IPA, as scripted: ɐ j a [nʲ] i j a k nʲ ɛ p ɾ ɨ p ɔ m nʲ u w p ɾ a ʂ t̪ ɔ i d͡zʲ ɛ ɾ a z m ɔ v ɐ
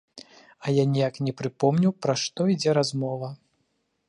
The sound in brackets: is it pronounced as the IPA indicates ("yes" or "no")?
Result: yes